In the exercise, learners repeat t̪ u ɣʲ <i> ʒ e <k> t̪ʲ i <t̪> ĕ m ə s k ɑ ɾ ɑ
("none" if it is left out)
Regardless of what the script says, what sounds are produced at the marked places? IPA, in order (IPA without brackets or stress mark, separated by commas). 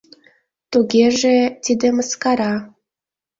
e, none, d̪